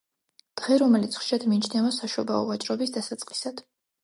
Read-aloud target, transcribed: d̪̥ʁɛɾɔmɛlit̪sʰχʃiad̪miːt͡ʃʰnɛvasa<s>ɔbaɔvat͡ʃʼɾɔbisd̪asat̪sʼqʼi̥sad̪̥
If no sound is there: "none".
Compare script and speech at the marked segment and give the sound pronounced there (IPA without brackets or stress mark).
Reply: ʃ